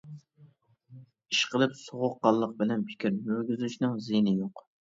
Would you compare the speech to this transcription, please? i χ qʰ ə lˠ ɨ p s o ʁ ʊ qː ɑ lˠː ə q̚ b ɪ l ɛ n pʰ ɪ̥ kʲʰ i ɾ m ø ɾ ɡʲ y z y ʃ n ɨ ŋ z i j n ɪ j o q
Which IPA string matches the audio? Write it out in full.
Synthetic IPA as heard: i ʃ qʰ ə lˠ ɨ p s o ʁ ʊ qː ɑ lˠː ə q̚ b ɪ l ɛ n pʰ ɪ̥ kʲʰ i ɾ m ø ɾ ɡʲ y z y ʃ n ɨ ŋ z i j n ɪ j o q